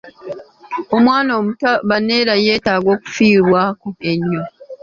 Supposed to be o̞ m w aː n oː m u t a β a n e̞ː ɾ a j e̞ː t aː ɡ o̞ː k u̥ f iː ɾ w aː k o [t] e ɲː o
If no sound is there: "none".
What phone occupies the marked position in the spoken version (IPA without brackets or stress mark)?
none